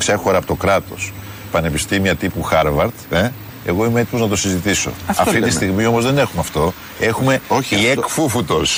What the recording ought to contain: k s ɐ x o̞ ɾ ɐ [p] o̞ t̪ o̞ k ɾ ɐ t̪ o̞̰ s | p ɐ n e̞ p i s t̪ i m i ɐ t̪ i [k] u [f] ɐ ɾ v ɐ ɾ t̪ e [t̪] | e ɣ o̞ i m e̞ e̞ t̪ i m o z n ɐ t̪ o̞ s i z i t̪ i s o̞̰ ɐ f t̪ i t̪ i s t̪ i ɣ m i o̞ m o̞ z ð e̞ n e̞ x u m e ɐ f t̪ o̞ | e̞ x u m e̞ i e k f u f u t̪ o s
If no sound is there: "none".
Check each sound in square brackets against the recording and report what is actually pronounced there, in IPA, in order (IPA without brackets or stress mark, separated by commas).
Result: p, p, x, none